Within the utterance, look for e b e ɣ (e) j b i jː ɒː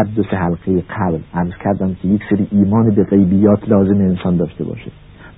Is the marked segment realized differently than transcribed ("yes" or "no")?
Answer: no